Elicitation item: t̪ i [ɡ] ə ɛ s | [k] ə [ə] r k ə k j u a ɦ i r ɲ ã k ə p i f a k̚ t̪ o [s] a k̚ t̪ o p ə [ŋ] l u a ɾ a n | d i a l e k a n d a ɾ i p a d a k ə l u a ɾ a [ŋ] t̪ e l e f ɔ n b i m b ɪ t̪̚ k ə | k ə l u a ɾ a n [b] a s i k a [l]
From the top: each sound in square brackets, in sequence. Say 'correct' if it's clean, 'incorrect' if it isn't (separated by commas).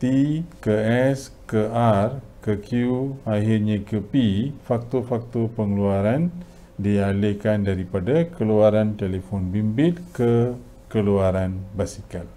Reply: incorrect, correct, incorrect, incorrect, correct, incorrect, correct, correct